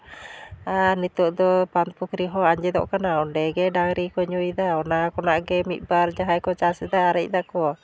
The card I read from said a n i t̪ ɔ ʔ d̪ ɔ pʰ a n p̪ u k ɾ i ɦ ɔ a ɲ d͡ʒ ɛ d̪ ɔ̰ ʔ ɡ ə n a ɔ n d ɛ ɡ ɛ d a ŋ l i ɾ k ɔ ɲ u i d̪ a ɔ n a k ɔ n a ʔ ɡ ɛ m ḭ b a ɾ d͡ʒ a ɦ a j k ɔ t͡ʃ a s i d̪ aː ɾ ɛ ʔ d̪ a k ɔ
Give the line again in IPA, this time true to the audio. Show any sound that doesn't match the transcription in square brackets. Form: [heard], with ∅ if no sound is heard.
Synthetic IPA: a n i t̪ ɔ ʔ d̪ ɔ [p] a n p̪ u k ɾ i ɦ ɔ a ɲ d͡ʒ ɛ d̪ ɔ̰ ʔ [k] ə n a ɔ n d ɛ ɡ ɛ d a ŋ [ɾ] i [∅] k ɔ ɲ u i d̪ a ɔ n a k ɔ n a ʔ ɡ ɛ m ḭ b a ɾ d͡ʒ a ɦ a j k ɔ t͡ʃ a s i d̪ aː ɾ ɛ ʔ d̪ a k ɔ